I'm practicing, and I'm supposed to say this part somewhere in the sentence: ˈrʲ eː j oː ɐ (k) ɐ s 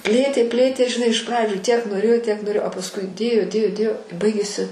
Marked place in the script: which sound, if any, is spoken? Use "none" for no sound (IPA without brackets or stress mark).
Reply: p